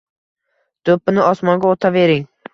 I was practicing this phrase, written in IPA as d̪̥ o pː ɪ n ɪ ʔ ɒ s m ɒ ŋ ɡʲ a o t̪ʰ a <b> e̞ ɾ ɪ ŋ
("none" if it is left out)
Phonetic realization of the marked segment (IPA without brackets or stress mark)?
v